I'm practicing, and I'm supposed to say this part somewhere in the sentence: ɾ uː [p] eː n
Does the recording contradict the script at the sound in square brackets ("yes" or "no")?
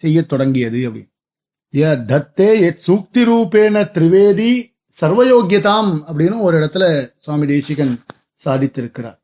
no